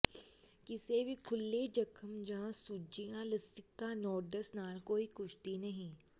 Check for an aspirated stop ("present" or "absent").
present